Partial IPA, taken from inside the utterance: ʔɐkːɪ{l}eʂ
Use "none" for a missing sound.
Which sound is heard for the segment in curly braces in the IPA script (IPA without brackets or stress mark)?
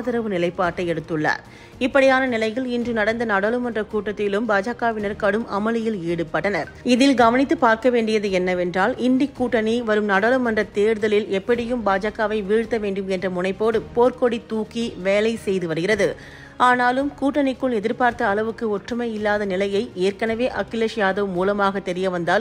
l